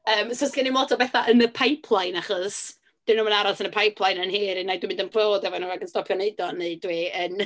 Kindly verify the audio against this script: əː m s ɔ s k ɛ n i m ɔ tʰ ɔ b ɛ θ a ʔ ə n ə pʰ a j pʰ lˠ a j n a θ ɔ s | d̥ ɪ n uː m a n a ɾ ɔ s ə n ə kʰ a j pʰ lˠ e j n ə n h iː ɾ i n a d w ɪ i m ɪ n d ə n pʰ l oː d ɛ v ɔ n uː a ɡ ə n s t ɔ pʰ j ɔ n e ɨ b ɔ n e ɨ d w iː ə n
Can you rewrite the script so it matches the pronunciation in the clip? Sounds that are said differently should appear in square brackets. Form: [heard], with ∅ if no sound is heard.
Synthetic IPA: əː m s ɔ s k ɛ n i m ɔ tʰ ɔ b ɛ θ a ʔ ə n ə pʰ a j pʰ lˠ a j n a [χ] ɔ s | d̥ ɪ n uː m [ə] n a ɾ ɔ s ə n ə [pʰ] a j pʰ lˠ [a] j n ə n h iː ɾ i n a d w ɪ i m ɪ n d ə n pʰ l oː d ɛ v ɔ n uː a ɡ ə n s t ɔ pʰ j ɔ n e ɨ [d] ɔ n e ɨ d w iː ə n

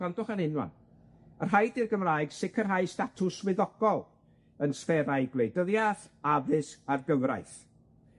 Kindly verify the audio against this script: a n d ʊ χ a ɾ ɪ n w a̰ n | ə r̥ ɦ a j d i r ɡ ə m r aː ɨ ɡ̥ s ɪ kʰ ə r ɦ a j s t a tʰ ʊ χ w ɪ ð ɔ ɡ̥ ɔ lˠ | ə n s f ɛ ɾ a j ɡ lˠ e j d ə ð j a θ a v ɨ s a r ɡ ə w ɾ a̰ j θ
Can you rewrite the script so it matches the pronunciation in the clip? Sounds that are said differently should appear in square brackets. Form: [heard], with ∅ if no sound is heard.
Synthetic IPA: a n d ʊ χ a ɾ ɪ n w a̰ n | ə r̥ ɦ a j d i r ɡ ə m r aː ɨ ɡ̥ s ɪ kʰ ə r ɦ a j s t a tʰ ʊ [s] w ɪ ð ɔ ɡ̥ ɔ lˠ | ə n s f ɛ ɾ a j ɡ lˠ e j d ə ð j a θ a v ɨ s a r ɡ ə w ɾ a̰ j θ

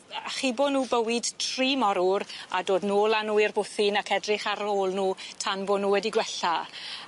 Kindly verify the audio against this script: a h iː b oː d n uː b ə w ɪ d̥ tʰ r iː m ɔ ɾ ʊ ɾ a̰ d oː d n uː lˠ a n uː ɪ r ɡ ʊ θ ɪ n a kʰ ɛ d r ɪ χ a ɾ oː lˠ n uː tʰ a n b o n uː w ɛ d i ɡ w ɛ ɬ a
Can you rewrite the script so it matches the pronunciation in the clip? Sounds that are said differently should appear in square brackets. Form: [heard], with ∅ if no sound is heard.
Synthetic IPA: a [χ] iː b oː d n uː b ə w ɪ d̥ tʰ r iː m ɔ ɾ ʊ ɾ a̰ d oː d n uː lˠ a n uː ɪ r [b] ʊ θ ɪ n a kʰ ɛ d r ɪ χ a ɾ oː lˠ n uː tʰ a n b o n uː w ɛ d i ɡ w ɛ ɬ a

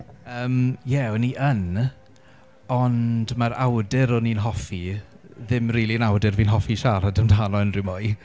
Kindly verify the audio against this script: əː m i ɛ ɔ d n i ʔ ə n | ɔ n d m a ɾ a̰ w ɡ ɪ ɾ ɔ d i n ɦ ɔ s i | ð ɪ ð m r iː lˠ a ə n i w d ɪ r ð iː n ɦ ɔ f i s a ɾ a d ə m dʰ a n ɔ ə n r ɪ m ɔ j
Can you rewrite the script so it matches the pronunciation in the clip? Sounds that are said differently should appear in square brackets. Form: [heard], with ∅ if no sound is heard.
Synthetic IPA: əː m [j] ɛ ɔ [∅] n i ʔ ə n | ɔ n d m a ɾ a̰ w [d] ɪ ɾ ɔ [n] i n ɦ ɔ [f] i | ð ɪ [∅] m r iː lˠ [i] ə n [a] w d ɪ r [v] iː n ɦ ɔ f i [ʃ] a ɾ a d ə m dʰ a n ɔ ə n r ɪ m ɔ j

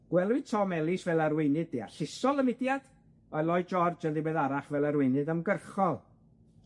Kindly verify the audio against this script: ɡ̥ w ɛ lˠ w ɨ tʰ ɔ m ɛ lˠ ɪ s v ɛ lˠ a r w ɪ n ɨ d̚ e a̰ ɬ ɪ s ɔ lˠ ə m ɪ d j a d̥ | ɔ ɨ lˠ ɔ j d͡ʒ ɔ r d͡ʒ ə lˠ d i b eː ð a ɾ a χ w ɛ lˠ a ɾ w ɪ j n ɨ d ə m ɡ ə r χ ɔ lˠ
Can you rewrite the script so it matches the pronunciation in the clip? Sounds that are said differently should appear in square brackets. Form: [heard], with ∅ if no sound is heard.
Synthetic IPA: ɡ̥ w ɛ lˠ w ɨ tʰ ɔ m ɛ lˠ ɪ s v ɛ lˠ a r w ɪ n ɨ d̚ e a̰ ɬ ɪ s ɔ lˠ ə m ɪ d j a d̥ | ɔ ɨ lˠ ɔ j d͡ʒ ɔ r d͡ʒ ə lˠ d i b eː ð a ɾ a χ [v] ɛ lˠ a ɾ w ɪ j n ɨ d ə m ɡ ə r χ ɔ lˠ

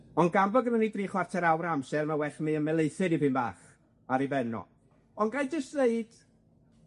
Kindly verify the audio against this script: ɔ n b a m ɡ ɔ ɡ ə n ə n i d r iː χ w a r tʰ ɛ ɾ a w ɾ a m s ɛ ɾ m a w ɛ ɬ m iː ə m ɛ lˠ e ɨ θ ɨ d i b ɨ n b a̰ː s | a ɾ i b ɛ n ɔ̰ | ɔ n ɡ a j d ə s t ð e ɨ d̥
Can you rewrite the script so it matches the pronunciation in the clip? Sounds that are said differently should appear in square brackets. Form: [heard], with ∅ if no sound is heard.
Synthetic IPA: ɔ n [ɡ] a m [b] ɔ ɡ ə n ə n i d r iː χ w a r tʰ ɛ ɾ a w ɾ a m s ɛ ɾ m a w ɛ ɬ m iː ə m ɛ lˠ e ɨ θ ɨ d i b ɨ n b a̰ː [χ] | a ɾ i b ɛ n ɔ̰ | ɔ n ɡ a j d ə s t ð e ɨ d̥

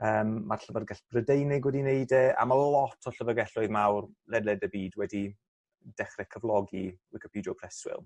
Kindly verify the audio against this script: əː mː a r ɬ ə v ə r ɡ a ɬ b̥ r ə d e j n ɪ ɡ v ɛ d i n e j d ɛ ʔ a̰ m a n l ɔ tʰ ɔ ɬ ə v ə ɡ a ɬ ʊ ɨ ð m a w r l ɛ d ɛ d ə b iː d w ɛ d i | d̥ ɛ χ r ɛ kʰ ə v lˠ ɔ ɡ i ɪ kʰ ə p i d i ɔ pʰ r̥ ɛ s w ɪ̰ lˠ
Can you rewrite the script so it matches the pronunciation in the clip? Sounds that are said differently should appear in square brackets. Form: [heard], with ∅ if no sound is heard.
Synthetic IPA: əː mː a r ɬ ə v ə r ɡ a ɬ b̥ r ə d e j n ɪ ɡ [w] ɛ d i n e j d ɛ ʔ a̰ m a [∅] l ɔ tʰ ɔ ɬ ə v ə ɡ [ɛ] ɬ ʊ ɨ ð m a w r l ɛ d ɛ d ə b iː d w ɛ d i | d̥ ɛ χ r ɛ kʰ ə v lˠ ɔ ɡ i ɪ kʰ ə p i d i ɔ pʰ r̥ ɛ s w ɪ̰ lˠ

